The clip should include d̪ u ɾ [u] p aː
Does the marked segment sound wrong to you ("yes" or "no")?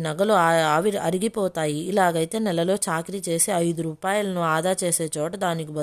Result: yes